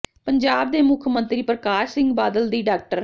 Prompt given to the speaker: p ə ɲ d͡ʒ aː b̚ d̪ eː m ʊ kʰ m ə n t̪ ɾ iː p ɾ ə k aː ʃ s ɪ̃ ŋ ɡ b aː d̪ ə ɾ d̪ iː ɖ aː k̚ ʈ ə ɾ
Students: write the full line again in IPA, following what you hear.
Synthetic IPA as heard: p ə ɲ d͡ʒ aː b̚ d̪ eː m ʊ kʰ m ə n t̪ ɾ iː p ɾ ə k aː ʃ s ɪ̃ ŋ ɡ b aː d̪ ə l d̪ iː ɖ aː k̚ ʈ ə ɾ